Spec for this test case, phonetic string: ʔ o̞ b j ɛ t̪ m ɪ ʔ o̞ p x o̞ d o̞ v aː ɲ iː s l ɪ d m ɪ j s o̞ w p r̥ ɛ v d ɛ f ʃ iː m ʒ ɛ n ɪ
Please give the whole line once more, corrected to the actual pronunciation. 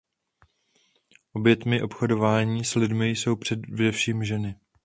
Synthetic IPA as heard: ʔ o̞ b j ɛ t̪ m ɪ ʔ o̞ p x o̞ d o̞ v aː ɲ iː s l ɪ d m ɪ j s o̞ w p r̥ ɛ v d ɛ f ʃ iː m ʒ ɛ n ɪ